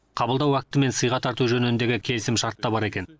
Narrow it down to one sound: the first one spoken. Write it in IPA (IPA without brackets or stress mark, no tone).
qʰ